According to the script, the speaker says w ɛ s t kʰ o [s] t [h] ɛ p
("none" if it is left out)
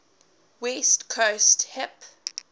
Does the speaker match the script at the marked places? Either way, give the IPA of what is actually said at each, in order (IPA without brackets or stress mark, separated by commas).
s, h